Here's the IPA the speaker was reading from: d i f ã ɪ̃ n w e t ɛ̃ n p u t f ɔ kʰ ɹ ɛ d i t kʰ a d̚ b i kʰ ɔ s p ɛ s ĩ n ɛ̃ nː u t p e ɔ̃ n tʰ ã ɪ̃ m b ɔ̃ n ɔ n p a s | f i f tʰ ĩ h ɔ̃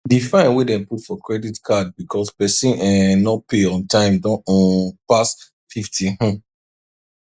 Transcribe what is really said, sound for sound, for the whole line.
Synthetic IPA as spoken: d i f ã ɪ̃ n w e d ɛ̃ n p u t f ɔ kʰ ɹ ɛ d i t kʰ a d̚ b i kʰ ɔ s p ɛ s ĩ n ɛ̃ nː ɔ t p e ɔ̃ n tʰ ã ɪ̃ m d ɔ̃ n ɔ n p a s | f i f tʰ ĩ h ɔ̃